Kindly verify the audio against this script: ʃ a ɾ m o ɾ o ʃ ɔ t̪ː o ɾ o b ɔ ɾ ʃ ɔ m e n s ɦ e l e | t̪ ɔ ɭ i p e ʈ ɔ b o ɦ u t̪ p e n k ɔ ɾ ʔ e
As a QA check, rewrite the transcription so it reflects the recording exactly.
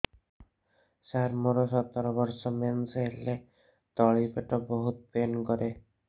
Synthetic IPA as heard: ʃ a ɾ m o ɾ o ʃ ɔ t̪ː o ɾ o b ɔ ɾ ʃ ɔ m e n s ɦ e l e | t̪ ɔ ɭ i p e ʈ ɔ b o ɦ u t̪ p e n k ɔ ɾ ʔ e